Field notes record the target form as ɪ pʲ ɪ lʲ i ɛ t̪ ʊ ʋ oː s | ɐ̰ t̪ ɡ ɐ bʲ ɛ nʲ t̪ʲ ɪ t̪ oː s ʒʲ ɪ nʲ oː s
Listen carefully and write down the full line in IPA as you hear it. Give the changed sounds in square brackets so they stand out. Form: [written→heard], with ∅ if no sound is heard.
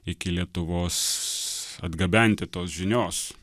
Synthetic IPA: ɪ [pʲ→kʲ] ɪ lʲ i ɛ t̪ ʊ ʋ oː s | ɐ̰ [t̪→d̪] ɡ ɐ bʲ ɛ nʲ t̪ʲ ɪ t̪ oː s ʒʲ ɪ nʲ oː s